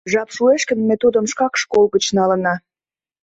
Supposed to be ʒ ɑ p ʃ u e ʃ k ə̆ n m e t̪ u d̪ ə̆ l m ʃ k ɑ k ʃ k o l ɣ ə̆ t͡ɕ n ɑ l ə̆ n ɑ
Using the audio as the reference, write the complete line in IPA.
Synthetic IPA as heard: ʒ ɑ p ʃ u e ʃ k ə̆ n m e t̪ u d̪ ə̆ m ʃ k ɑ k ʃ k o l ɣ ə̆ t͡ɕ n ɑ l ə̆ n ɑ